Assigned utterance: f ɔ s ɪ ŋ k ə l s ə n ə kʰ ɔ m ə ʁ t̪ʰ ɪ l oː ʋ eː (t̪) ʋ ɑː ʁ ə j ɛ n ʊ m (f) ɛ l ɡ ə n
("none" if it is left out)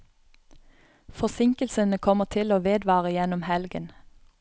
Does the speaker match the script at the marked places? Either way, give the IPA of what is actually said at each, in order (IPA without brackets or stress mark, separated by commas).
d̪, h